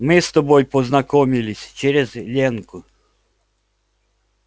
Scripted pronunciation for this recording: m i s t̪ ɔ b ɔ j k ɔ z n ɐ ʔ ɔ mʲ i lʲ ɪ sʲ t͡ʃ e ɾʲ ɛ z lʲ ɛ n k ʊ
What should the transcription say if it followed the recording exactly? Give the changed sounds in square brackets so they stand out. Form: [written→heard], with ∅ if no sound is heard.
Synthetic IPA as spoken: m [i→ɪ] s t̪ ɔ b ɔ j [k→p] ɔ z n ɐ [ʔ→k] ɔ mʲ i lʲ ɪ sʲ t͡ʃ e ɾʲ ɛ z lʲ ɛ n k ʊ